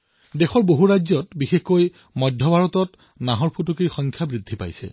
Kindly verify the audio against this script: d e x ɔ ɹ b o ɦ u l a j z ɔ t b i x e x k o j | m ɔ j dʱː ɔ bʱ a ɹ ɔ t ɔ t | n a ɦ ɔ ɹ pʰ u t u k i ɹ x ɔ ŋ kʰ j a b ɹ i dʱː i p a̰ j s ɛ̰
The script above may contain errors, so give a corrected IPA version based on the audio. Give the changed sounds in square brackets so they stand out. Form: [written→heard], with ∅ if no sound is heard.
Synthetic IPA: d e x ɔ ɹ b o ɦ u [l→ɹ] a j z ɔ t b i x e x k o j | m ɔ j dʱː ɔ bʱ a ɹ ɔ t ɔ t | n a ɦ ɔ ɹ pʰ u t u k i ɹ x ɔ ŋ kʰ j a b ɹ i dʱː i p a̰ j s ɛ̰